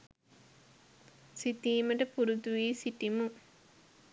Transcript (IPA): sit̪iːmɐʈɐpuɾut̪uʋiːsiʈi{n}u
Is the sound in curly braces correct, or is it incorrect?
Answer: incorrect